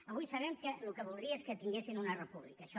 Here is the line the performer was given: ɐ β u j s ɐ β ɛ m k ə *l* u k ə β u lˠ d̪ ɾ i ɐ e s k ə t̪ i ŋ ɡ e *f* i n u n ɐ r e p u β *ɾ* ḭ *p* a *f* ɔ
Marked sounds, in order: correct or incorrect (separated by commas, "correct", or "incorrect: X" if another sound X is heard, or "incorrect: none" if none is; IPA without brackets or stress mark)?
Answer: correct, incorrect: s, incorrect: l, incorrect: k, incorrect: ʃ